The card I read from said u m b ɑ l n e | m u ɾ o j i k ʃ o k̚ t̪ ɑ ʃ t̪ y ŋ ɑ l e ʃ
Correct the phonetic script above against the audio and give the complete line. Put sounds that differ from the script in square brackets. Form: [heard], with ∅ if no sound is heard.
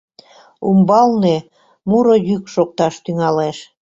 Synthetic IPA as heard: u m b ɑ l n e | m u ɾ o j [y] k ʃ o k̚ t̪ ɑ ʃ t̪ y ŋ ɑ l e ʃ